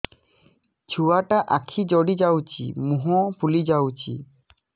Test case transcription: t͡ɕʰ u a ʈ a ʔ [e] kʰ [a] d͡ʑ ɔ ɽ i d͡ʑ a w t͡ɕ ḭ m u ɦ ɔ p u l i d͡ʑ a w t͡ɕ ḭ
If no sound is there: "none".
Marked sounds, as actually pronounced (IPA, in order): a, i

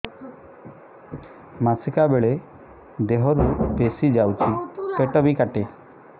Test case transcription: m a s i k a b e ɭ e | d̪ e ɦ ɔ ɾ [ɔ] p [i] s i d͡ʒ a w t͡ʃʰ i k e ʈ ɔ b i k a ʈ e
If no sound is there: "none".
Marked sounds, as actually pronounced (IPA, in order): u, e

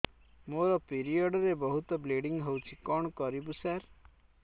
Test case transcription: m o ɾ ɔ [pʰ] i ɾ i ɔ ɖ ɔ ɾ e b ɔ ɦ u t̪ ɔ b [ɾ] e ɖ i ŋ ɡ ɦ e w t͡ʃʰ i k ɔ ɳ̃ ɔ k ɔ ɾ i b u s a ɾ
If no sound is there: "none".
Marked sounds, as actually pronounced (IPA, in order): p, l

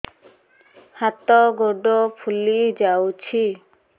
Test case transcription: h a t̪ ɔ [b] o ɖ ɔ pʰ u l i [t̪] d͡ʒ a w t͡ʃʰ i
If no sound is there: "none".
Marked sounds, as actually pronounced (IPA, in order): ɡ, none

